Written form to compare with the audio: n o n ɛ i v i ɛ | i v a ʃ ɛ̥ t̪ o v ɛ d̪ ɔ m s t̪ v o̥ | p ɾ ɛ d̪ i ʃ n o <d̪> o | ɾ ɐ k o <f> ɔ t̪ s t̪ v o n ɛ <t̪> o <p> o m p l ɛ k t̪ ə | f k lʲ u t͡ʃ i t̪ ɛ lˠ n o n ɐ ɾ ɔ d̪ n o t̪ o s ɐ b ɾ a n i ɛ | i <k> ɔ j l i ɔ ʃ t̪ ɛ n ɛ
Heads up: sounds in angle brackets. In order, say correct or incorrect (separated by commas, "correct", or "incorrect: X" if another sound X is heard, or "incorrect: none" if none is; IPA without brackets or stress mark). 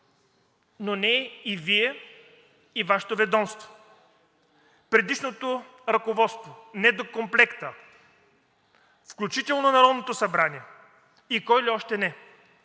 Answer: incorrect: t̪, incorrect: v, incorrect: d̪, incorrect: k, correct